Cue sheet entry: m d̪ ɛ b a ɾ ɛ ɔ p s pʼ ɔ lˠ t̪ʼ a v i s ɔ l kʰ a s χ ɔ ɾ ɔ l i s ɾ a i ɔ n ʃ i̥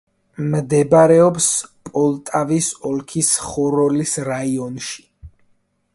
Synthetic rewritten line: m d̪ ɛ b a ɾ ɛ ɔ p s pʼ ɔ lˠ t̪ʼ a v i s ɔ l kʰ i s χ ɔ ɾ ɔ l i s ɾ a i ɔ n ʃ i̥